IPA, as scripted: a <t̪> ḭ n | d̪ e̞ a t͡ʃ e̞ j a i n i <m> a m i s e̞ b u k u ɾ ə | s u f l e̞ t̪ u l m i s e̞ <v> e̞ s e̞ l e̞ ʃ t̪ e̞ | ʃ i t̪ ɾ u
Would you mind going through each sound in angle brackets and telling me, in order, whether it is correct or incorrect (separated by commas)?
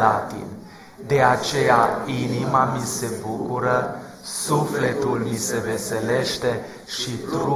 correct, correct, correct